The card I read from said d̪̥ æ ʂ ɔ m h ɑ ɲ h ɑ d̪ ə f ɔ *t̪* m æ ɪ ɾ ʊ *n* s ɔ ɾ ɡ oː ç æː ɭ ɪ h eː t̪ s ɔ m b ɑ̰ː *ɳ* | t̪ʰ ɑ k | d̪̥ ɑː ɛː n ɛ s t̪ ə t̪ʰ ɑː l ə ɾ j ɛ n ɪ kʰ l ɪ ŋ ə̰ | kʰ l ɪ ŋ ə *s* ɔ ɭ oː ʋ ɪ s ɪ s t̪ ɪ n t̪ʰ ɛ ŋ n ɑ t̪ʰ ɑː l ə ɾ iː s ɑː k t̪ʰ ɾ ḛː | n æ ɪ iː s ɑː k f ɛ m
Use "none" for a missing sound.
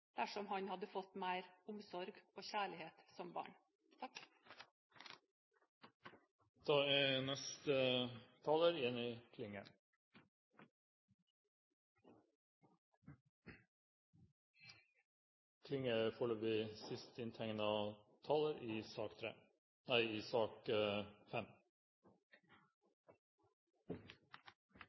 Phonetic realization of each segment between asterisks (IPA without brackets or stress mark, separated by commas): t̪, m, ɳ, f